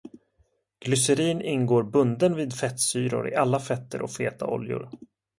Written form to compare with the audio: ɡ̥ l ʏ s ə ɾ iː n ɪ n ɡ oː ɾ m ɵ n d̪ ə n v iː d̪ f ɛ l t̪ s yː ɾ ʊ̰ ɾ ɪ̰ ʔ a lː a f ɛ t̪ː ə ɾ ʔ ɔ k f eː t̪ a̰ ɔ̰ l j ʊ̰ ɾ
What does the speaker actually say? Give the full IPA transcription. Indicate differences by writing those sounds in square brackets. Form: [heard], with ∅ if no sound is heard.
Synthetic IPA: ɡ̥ l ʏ s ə ɾ iː n ɪ n ɡ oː ɾ [b] ɵ n d̪ ə n v iː d̪ f ɛ [∅] t̪ s yː ɾ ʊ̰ ɾ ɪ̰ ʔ a lː a f ɛ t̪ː ə ɾ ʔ ɔ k f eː t̪ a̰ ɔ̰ l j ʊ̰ ɾ